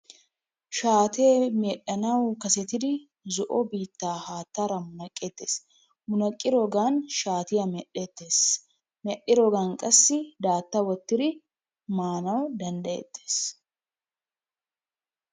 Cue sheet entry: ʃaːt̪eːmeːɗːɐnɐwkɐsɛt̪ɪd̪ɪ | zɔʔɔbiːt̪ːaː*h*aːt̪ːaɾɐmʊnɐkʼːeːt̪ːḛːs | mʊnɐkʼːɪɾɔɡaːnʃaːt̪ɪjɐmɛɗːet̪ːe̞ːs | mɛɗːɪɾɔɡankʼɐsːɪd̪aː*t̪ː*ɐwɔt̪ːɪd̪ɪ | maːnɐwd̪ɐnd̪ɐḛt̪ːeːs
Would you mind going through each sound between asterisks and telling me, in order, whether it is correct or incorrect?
correct, correct

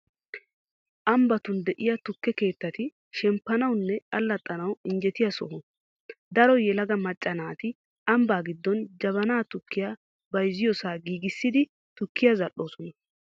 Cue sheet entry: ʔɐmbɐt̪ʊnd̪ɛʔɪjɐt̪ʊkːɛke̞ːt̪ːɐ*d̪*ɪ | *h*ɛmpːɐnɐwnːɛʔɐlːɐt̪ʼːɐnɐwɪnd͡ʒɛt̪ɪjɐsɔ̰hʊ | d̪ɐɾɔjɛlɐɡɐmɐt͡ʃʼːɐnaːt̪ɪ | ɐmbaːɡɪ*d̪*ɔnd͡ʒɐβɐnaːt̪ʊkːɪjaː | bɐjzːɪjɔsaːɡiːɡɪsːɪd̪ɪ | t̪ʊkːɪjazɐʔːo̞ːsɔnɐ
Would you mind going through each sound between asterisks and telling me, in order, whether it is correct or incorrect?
incorrect: t̪, incorrect: ʃ, incorrect: d̪ː

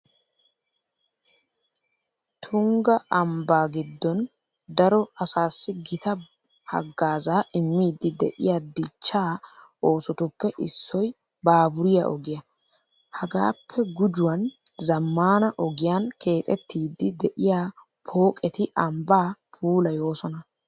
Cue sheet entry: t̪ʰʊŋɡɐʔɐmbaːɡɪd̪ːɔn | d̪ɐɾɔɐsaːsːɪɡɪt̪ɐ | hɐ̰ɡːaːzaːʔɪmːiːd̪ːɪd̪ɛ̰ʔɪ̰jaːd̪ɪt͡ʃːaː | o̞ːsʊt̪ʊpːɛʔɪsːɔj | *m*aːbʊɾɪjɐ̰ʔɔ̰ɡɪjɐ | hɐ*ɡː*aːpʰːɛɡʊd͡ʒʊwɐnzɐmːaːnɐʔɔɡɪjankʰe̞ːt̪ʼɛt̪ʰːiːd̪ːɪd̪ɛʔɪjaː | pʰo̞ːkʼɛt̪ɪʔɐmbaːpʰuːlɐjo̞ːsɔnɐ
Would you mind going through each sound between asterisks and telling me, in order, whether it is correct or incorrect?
incorrect: b, incorrect: ɡ

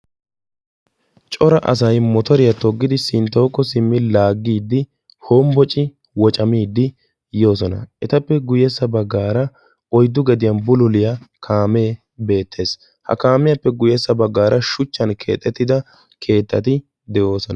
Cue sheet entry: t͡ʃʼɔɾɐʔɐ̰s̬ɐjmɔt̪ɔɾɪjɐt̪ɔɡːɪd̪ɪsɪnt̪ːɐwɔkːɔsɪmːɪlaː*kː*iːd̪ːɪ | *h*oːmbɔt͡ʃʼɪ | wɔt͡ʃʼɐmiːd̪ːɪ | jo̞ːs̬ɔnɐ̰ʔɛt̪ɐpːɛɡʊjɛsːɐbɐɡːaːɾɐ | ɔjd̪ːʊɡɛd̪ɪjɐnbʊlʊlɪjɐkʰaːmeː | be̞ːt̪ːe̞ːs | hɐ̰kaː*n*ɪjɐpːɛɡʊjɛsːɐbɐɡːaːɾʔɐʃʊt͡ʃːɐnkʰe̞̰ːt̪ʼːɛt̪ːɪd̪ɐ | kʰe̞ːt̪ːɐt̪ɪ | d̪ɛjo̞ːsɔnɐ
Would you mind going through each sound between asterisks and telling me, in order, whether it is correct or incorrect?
incorrect: ɡː, correct, incorrect: m

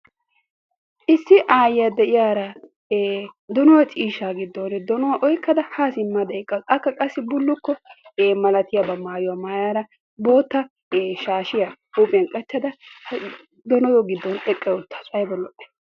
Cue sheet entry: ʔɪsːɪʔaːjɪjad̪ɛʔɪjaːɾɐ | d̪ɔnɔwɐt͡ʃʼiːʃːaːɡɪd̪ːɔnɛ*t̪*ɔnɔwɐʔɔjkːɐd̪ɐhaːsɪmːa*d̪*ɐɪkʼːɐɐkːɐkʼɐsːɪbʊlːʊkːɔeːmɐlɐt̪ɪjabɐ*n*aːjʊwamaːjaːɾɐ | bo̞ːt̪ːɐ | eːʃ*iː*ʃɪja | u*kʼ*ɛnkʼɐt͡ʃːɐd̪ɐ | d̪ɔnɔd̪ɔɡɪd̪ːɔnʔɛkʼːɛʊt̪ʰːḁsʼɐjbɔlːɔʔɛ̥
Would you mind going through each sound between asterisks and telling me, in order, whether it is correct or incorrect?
incorrect: d̪, correct, incorrect: m, incorrect: aː, incorrect: pʼ

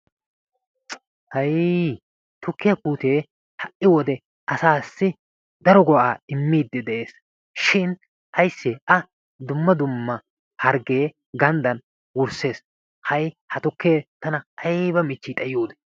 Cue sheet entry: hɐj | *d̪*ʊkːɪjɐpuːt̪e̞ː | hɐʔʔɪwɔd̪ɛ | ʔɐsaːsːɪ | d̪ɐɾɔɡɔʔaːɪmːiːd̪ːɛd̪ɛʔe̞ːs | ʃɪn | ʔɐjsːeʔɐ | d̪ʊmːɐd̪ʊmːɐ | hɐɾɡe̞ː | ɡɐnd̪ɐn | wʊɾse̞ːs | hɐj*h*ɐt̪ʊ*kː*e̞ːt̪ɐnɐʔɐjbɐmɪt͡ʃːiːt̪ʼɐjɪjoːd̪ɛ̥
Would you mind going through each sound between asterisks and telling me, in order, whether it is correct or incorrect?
incorrect: t̪, correct, correct

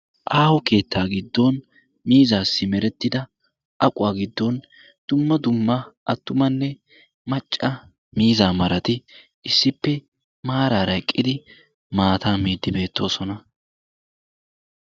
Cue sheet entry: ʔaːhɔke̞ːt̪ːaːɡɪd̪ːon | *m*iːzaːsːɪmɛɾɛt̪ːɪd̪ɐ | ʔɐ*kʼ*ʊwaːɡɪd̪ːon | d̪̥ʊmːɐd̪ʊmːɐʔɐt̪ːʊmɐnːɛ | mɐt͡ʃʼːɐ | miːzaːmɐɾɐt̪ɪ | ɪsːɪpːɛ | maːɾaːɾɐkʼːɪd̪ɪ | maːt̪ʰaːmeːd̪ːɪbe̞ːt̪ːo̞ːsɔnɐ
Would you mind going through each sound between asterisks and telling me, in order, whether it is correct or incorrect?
correct, correct

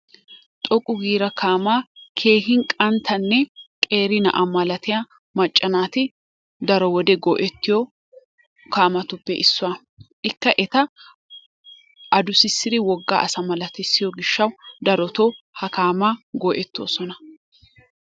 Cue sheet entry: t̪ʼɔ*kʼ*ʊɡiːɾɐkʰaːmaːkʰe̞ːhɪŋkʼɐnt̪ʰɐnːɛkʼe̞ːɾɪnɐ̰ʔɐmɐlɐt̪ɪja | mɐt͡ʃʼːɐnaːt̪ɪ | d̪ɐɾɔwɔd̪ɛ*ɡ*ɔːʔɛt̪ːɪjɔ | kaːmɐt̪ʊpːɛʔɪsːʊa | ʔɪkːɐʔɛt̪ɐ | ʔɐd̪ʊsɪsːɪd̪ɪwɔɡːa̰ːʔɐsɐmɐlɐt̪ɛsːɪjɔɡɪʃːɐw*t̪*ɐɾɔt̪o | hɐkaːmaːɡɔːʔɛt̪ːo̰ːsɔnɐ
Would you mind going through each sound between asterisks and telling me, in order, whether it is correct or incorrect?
correct, correct, incorrect: d̪

